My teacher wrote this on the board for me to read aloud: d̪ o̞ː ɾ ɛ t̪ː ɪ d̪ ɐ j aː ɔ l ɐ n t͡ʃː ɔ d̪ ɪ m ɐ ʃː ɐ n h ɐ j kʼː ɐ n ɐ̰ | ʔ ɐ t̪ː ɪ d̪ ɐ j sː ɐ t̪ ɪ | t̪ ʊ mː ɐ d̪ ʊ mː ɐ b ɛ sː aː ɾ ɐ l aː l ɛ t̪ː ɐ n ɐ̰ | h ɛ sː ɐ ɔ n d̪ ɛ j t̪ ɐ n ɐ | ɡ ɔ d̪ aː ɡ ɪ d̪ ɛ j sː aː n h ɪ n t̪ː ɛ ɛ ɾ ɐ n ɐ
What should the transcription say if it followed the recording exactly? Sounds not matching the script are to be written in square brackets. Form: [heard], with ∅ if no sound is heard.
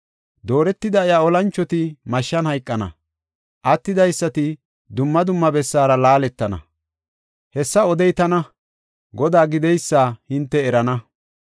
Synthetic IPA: d̪ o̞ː ɾ ɛ t̪ː ɪ d̪ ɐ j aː ɔ l ɐ n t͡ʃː ɔ [t̪] ɪ m ɐ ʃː ɐ n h ɐ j kʼː ɐ n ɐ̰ | ʔ ɐ t̪ː ɪ d̪ ɐ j sː ɐ t̪ ɪ | [d̪] ʊ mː ɐ d̪ ʊ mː ɐ b ɛ sː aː ɾ ɐ l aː l ɛ t̪ː ɐ n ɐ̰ | h ɛ sː ɐ ɔ [∅] d̪ ɛ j t̪ ɐ n ɐ | ɡ ɔ d̪ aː ɡ ɪ d̪ ɛ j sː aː [∅] h ɪ n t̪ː ɛ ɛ ɾ ɐ n ɐ